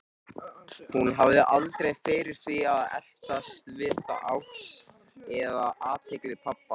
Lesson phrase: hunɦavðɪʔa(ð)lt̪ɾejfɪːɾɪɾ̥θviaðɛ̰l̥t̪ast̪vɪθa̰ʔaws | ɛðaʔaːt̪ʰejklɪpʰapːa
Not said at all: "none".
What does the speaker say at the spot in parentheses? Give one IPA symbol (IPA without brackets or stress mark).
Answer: none